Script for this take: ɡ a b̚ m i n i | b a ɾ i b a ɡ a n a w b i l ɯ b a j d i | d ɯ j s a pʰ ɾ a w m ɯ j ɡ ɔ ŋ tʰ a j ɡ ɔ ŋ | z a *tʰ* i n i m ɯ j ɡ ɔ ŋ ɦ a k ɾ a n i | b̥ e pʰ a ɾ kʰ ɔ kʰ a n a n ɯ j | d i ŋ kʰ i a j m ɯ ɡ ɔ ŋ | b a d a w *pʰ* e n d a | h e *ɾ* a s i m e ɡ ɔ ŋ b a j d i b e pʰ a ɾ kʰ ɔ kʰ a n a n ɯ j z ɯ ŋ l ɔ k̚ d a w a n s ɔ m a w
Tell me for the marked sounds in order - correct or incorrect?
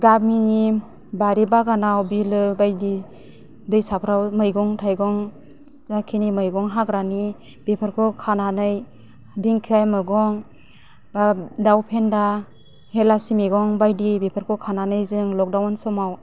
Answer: incorrect: kʰ, correct, incorrect: l

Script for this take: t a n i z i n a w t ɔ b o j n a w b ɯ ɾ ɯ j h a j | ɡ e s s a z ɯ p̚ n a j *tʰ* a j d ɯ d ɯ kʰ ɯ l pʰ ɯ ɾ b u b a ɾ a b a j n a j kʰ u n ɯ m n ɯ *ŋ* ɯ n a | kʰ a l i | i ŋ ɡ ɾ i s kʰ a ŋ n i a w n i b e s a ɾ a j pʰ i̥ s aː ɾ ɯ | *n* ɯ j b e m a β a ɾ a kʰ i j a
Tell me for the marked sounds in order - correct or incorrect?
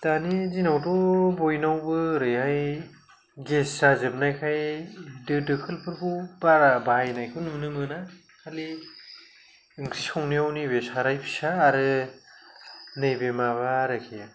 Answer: incorrect: kʰ, incorrect: m, correct

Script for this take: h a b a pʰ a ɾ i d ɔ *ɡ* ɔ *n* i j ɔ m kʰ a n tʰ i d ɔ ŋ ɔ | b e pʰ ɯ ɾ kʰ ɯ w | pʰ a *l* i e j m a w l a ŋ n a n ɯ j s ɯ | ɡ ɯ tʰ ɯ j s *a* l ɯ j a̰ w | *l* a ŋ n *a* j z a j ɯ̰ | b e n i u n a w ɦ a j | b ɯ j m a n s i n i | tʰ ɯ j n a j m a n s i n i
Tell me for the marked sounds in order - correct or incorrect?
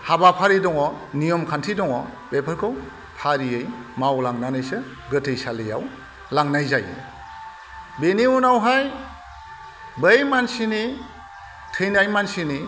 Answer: incorrect: ŋ, correct, incorrect: ɾ, correct, correct, correct

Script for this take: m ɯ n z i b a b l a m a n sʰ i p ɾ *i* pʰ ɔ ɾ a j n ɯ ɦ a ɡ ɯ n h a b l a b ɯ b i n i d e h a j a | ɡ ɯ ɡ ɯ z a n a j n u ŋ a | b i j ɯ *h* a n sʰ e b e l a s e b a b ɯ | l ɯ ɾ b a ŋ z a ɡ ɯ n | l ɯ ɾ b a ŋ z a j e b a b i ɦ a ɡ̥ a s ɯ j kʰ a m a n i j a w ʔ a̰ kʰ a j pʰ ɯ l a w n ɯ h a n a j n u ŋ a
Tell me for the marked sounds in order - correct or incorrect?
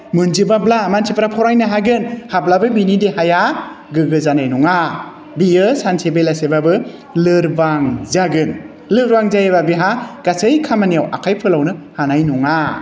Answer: incorrect: a, incorrect: s

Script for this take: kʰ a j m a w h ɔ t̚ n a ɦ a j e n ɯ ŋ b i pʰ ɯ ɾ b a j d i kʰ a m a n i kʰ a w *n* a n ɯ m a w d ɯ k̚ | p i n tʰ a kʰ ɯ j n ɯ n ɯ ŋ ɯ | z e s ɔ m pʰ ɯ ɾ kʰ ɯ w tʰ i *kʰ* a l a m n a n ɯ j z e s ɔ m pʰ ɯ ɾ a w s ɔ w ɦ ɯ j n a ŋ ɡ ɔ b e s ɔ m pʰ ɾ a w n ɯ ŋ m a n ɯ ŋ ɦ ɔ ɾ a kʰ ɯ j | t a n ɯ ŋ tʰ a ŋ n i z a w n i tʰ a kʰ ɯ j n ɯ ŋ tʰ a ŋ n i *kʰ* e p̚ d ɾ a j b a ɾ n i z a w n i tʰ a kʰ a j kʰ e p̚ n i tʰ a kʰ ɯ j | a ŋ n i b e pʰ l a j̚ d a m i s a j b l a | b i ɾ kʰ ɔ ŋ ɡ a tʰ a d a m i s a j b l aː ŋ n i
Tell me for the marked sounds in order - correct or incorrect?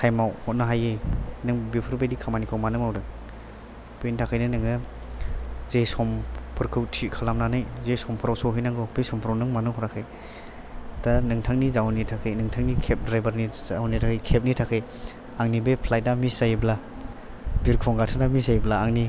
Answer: incorrect: m, correct, correct

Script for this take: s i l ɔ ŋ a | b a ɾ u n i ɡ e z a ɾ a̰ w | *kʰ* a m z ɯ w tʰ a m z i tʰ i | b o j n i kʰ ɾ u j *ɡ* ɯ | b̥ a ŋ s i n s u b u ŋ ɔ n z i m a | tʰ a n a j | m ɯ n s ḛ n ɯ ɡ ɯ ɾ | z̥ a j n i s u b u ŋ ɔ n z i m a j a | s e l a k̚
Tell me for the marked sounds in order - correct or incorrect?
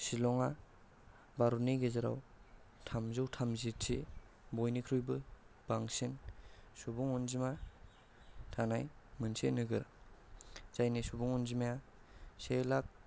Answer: incorrect: tʰ, incorrect: b

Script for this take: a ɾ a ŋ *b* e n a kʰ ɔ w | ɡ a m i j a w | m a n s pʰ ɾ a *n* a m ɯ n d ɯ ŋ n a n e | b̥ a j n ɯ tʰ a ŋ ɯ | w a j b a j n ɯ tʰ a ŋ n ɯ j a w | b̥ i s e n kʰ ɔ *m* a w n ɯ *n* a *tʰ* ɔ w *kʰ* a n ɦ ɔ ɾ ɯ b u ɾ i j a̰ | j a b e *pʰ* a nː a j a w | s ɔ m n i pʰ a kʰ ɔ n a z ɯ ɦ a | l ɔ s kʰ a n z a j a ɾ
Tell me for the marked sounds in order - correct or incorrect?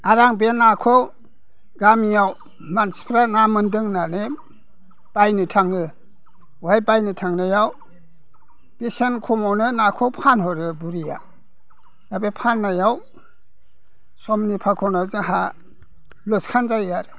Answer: correct, correct, correct, correct, incorrect: kʰ, incorrect: pʰ, correct

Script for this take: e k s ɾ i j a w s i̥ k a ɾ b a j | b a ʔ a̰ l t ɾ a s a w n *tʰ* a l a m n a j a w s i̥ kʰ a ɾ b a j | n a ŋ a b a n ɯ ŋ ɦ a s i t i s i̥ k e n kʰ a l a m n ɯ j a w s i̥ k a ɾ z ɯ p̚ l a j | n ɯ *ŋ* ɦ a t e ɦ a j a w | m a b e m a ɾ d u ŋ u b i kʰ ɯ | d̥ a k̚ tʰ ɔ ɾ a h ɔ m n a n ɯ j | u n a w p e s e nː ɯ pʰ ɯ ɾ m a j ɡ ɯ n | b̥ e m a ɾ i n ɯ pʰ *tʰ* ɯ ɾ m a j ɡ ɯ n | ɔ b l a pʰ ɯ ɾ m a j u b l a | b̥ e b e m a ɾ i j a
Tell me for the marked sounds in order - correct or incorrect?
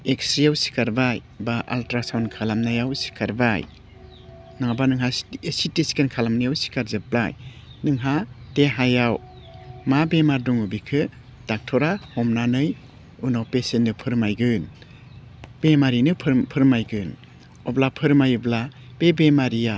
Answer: incorrect: kʰ, correct, incorrect: pʰ

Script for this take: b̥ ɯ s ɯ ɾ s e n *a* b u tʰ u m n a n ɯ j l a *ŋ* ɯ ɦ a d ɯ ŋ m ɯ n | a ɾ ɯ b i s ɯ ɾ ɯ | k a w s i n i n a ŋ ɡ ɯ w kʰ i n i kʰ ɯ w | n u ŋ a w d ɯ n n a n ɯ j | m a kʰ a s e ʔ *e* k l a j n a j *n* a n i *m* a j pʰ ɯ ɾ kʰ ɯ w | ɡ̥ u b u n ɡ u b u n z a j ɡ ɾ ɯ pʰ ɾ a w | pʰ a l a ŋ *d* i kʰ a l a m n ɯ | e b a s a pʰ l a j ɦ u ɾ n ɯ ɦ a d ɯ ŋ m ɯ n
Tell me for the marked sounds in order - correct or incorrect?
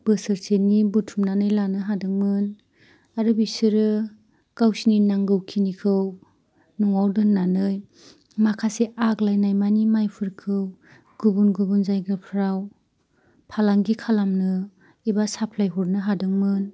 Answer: incorrect: i, incorrect: n, incorrect: a, incorrect: m, correct, incorrect: ɡ

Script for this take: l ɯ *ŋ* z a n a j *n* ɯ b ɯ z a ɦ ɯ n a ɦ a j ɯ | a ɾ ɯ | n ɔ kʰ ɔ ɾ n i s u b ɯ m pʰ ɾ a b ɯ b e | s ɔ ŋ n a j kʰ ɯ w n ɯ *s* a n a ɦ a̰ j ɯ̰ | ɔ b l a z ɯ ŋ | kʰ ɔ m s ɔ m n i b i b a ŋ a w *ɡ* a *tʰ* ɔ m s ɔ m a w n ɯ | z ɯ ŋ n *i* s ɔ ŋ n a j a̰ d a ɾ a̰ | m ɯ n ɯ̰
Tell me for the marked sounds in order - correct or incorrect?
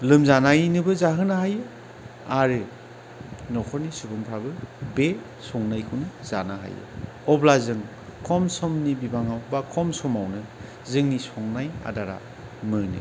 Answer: incorrect: m, correct, incorrect: z, incorrect: b, incorrect: kʰ, correct

